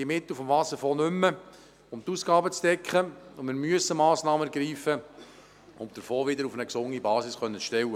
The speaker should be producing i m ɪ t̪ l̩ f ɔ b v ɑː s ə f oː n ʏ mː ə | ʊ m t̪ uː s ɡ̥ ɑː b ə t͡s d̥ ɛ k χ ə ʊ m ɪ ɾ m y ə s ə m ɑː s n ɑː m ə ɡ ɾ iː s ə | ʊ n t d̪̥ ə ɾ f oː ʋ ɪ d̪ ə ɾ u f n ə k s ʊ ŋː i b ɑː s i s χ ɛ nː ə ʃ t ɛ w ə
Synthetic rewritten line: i m ɪ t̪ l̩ f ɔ m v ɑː s ə f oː n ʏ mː ə | ʊ m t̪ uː s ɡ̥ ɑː b ə t͡s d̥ ɛ k χ ə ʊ m ɪ ɾ m y ə s ə m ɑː s n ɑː m ə ɡ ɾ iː f ə | ʊ n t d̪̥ ə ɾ f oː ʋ ɪ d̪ ə ɾ u f n ə k s ʊ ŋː i b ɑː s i s χ œ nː ə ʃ t ɛ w ə